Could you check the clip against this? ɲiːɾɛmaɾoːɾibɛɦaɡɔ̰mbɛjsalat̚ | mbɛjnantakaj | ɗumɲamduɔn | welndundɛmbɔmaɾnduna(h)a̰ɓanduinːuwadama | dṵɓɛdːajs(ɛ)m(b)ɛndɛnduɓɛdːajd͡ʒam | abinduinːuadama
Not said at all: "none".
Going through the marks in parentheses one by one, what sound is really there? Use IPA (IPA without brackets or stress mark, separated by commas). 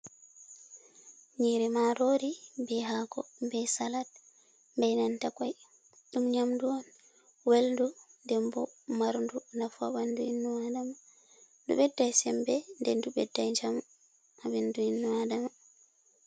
f, ɛ, b